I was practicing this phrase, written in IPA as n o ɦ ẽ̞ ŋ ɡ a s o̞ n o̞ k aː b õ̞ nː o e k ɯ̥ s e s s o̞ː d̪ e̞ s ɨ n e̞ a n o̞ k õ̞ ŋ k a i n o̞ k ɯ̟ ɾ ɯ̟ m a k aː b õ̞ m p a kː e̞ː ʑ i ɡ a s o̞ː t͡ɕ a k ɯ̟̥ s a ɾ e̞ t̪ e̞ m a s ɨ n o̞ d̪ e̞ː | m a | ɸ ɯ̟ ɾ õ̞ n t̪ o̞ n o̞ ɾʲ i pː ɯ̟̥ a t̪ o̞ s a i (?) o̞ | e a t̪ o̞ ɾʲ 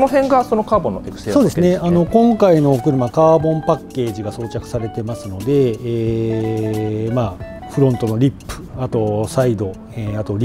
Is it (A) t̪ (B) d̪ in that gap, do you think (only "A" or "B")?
B